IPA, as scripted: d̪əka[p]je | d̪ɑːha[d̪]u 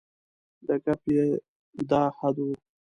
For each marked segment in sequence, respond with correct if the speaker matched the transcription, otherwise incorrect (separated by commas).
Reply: correct, correct